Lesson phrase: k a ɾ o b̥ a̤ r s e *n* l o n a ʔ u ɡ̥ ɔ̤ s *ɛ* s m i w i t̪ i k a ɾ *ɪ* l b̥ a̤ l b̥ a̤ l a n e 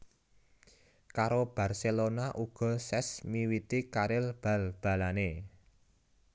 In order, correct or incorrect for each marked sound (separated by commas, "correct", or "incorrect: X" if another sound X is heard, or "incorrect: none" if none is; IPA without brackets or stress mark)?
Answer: incorrect: none, correct, correct